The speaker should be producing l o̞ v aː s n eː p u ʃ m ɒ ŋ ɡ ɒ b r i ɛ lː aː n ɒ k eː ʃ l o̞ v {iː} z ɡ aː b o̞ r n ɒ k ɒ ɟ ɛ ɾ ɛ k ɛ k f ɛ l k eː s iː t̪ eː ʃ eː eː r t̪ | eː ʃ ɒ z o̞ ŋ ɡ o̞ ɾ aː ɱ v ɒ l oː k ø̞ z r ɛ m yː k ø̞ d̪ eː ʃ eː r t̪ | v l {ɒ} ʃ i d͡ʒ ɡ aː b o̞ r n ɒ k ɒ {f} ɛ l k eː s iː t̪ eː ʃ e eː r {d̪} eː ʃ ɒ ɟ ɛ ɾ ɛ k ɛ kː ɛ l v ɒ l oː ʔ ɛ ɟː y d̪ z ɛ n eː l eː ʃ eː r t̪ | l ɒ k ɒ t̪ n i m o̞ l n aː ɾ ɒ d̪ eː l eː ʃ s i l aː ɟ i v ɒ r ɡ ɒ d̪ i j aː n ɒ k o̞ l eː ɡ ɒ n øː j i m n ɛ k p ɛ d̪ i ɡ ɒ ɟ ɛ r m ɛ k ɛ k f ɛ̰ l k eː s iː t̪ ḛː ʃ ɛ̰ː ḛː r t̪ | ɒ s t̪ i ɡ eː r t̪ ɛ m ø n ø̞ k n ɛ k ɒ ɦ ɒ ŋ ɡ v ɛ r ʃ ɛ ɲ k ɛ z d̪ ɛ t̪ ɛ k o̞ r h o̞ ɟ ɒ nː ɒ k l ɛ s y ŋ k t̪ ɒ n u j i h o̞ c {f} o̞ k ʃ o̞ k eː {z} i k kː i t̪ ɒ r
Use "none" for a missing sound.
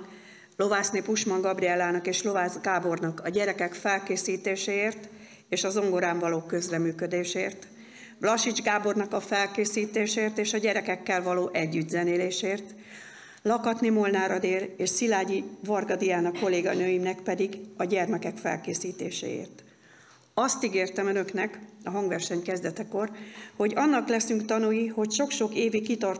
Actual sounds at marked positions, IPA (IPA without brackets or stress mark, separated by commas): aː, ɒ, f, t̪, ʃ, v